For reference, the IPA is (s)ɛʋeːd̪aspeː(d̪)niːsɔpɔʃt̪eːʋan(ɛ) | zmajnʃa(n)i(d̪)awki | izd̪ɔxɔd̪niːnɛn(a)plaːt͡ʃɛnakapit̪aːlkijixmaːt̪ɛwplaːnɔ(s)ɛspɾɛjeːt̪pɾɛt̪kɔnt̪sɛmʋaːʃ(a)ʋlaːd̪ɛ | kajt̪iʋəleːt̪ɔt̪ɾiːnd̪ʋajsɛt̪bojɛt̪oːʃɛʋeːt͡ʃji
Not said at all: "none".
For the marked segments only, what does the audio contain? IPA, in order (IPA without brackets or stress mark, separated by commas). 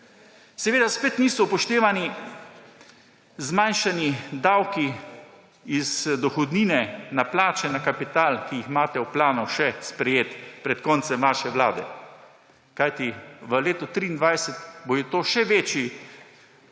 s, t̪, i, n, d̪, a, ʃ, ɛ